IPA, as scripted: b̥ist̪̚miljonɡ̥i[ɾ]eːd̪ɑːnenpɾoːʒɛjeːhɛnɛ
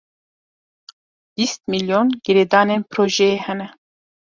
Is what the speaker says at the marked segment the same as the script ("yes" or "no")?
yes